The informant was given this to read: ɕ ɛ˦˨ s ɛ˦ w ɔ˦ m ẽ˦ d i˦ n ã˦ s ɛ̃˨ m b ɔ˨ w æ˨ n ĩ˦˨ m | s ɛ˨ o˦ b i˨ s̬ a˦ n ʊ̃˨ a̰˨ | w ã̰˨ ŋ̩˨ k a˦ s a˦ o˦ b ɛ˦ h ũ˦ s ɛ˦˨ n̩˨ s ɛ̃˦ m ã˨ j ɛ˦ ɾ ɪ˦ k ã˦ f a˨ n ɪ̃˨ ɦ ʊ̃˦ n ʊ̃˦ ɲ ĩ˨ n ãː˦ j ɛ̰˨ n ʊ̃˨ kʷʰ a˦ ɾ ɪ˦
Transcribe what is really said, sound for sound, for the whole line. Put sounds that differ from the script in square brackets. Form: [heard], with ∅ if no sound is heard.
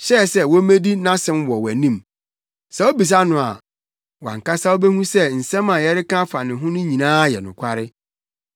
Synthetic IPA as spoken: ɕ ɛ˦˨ s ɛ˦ w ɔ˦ m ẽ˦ d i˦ n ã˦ s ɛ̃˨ m [w] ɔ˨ w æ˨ n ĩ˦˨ m | s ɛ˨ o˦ b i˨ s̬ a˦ n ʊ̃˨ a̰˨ | w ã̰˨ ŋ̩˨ k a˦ s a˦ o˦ b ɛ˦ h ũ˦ s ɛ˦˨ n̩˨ s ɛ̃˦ m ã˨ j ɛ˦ ɾ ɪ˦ k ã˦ f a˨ n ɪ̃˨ ɦ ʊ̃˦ n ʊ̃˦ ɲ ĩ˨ n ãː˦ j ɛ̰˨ n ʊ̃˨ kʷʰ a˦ ɾ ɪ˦